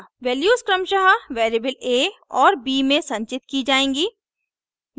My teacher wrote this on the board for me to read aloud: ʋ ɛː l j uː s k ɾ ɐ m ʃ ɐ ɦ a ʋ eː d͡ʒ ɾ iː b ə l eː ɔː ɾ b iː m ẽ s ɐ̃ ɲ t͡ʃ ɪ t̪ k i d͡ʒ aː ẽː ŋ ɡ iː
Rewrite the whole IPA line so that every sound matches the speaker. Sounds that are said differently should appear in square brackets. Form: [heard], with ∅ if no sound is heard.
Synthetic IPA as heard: ʋ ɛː l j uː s k ɾ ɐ m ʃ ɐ ɦ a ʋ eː [∅] ɾ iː b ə l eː ɔː ɾ b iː m ẽ s ɐ̃ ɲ t͡ʃ ɪ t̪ k i d͡ʒ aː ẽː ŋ ɡ iː